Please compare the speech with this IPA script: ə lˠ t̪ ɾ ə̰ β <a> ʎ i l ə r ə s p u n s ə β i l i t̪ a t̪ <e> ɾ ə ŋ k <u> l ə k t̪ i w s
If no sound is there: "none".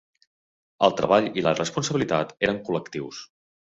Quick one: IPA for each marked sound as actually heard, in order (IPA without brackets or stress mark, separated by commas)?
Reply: a, e, u